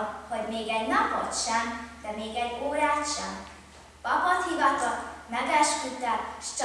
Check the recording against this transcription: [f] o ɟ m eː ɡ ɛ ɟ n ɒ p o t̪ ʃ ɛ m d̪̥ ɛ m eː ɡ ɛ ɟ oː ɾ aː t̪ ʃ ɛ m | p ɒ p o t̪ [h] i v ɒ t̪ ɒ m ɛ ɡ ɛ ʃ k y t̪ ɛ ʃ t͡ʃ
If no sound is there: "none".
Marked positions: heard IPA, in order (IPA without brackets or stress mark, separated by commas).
h, h